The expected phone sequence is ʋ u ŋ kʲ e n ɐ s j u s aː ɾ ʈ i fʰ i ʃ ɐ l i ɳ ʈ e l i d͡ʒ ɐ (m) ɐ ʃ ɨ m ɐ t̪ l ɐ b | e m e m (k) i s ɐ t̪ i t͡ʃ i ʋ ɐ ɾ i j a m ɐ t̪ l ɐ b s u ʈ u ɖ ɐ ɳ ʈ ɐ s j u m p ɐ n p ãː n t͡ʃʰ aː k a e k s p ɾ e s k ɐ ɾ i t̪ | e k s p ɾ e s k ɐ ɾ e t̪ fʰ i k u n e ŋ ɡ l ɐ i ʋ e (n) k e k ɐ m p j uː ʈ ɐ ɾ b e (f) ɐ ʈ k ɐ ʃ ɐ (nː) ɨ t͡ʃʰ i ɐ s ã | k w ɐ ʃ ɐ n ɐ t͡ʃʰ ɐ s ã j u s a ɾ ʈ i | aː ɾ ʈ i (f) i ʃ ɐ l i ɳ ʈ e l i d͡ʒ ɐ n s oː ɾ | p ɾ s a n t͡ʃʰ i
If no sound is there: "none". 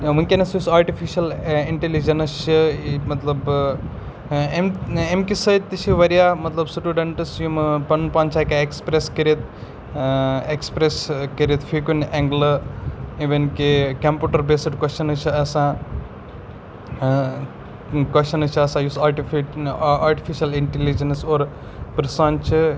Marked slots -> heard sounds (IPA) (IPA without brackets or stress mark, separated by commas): n, k, n, s, n, f